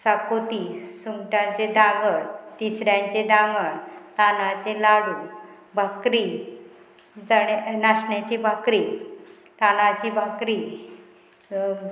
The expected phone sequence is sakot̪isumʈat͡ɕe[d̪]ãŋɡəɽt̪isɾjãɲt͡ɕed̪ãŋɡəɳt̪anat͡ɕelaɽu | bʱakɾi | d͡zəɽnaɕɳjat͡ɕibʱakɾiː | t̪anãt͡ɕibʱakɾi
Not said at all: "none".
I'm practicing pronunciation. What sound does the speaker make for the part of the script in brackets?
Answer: d̪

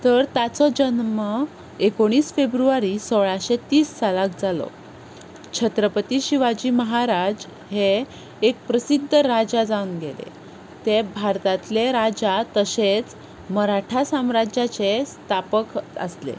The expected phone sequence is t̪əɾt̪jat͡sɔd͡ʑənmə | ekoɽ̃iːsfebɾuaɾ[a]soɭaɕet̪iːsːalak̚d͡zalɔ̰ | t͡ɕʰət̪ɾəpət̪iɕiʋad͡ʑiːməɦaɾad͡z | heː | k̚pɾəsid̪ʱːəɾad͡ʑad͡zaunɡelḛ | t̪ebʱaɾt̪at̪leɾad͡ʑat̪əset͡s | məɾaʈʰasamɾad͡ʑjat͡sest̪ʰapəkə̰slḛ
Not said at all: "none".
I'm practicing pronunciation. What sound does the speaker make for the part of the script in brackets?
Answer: i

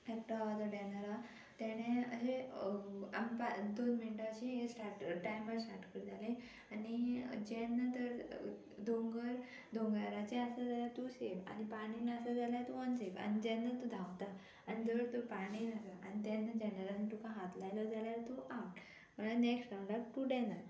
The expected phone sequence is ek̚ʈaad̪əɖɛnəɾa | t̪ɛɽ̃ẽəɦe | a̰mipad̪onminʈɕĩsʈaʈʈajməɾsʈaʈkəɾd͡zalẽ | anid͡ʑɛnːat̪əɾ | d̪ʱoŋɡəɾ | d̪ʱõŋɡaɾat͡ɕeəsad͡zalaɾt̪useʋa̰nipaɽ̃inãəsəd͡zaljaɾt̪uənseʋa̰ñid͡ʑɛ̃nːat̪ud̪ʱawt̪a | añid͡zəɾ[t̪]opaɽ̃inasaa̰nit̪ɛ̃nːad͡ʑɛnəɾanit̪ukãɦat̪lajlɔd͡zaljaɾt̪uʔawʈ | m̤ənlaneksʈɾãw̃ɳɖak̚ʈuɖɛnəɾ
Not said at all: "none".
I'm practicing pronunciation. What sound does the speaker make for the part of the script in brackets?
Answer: t̪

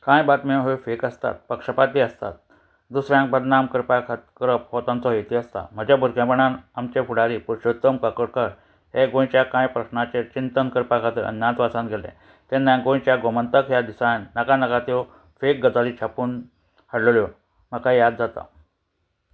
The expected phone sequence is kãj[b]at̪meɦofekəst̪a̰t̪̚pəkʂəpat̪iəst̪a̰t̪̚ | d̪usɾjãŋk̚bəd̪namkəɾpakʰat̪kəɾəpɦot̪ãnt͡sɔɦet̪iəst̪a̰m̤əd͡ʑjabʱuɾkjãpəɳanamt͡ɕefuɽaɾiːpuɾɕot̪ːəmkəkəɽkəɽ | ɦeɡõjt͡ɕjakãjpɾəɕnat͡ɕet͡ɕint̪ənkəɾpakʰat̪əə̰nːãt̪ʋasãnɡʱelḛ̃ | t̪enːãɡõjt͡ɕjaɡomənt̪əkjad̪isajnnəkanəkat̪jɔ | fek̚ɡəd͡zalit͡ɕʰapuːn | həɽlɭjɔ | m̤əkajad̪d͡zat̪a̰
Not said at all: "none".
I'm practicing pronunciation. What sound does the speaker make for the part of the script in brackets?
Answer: b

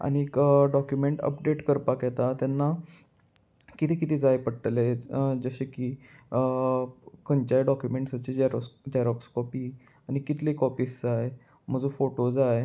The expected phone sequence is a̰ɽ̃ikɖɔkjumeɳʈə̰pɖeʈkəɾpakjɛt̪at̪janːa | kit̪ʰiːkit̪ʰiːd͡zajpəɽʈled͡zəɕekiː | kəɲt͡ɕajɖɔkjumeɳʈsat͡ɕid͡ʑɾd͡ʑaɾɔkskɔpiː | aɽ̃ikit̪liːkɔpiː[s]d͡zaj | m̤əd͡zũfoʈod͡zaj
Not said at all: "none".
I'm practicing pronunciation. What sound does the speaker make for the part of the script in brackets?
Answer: s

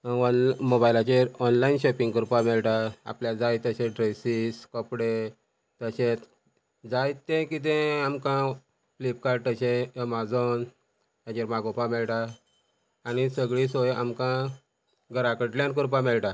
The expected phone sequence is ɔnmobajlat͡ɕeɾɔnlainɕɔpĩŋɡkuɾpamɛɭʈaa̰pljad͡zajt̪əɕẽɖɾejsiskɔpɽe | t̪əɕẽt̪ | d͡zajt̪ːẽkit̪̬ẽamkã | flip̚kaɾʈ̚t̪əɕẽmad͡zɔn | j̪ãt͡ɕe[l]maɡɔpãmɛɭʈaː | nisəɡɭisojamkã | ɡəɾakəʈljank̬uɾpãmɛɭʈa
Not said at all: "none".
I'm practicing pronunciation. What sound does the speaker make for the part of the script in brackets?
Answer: ɾ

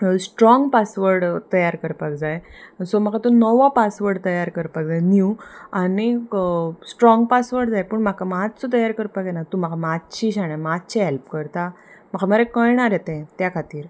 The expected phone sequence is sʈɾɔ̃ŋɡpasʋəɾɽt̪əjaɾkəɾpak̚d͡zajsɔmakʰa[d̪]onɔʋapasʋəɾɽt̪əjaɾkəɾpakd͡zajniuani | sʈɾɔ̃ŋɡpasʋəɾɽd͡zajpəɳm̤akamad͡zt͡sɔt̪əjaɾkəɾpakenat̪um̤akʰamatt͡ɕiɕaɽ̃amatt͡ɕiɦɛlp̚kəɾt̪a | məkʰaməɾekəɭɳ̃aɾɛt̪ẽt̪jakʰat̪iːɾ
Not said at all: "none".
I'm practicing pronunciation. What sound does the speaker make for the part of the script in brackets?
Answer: t̪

